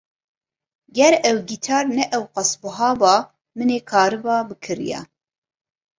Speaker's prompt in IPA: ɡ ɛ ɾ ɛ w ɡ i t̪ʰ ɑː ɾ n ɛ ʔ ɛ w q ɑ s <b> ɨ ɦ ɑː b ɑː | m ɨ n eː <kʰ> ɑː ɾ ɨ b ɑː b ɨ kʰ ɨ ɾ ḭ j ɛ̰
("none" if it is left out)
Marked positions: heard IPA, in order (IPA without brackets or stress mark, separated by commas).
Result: b, kʰ